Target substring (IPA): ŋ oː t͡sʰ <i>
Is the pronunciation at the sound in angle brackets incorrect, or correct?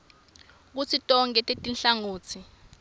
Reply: correct